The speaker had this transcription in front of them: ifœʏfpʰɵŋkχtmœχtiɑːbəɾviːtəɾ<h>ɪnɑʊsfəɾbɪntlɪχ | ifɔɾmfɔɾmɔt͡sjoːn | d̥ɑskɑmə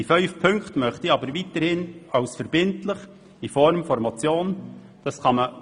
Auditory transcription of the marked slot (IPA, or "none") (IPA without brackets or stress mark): h